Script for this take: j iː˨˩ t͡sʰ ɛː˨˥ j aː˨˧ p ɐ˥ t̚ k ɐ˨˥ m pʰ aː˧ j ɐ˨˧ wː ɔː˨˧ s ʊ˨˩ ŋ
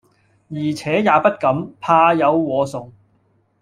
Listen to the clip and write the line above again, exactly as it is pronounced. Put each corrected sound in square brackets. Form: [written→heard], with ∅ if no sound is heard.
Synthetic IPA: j iː˨˩ t͡sʰ ɛː˨˥ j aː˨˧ p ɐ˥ t̚ k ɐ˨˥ m pʰ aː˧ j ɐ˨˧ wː ɔː˨˧ s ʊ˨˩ ŋ